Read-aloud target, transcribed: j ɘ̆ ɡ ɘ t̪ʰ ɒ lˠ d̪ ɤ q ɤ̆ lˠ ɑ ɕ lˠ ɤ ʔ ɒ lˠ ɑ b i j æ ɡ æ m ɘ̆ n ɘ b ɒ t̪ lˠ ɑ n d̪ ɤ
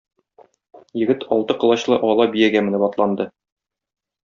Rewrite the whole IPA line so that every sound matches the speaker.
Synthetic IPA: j ɘ̆ ɡ ɘ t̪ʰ ɒ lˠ t̪ ɤ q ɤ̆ lˠ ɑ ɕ lˠ ɤ ʔ ɒ lˠ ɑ b i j æ ɡ æ m ɘ̆ n ɘ b ɒ t̪ lˠ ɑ n d̪ ɤ

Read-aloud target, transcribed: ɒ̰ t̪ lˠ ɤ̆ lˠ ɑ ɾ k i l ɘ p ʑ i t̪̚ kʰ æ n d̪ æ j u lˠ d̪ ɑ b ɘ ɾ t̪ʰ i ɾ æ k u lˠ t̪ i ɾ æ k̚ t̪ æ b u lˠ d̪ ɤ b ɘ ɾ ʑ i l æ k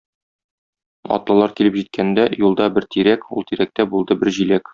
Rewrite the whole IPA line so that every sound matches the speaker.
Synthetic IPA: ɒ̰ t̪ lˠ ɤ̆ lˠ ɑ ɾ k i l ɘ p ʑ i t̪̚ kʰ æ n d̪ æ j u lˠ d̪ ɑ b ɘ ɾ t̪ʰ i ɾ æ k u lˠ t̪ i ɾ æ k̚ t̪ æ b u lˠ d̪ ɤ b ɘ ɾ ʑ i l æ k

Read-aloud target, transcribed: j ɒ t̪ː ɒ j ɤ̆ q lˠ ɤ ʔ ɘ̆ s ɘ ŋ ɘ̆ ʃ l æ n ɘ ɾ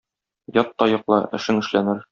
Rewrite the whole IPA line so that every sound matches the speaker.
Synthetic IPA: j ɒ t̪ː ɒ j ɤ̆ q lˠ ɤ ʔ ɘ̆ ʃ ɘ ŋ ɘ̆ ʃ l æ n ɘ ɾ

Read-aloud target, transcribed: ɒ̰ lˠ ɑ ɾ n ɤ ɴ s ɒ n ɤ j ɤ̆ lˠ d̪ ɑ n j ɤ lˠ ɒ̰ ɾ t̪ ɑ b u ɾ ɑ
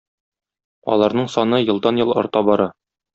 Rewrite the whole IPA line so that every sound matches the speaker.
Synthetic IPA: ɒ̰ lˠ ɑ ɾ n ɤ ɴ s ɒ n ɤ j ɤ̆ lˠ d̪ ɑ n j ɤ lˠ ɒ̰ ɾ t̪ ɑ b ɒ ɾ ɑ

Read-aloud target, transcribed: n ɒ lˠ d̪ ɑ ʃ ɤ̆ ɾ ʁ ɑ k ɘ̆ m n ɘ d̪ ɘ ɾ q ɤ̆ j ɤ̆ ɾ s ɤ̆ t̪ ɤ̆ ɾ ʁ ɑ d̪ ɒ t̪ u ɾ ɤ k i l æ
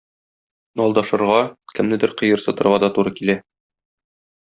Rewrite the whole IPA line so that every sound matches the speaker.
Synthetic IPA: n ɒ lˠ d̪ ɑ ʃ ɤ̆ ɾ ʁ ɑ k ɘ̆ m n ɘ d̪ ɘ ɾ q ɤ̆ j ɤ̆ ɾ s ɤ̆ t̪ ɤ̆ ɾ ʁ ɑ d̪ ɒ t̪ u ɾ ɤ k i l æ

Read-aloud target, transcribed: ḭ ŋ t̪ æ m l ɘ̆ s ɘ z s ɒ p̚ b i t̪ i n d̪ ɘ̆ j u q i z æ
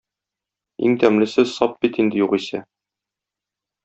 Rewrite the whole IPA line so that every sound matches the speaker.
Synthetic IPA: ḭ ŋ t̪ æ m l ɘ̆ s ɘ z s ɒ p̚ b i t̪ i n d̪ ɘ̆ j u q i s æ

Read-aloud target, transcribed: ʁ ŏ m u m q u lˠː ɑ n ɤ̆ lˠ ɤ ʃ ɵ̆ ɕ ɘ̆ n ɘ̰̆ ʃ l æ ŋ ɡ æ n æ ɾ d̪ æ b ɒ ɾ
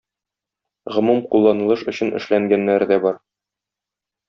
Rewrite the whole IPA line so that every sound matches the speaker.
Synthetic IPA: ʁ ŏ m u m q u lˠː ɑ n ɤ̆ lˠ ɤ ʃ ɵ̆ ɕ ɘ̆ n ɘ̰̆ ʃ l æ ŋ ɡ æ nː æ ɾ d̪ æ b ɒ ɾ

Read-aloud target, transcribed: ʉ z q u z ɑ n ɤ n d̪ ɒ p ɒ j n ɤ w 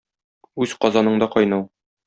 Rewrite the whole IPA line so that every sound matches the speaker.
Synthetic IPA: ʉ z q ɒ z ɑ n ɤ ɴ d̪ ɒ q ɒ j n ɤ w

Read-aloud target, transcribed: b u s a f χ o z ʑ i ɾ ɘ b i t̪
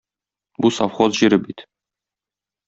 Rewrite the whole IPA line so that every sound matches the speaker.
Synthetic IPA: b u s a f χ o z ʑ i ɾ ɘ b i t̪

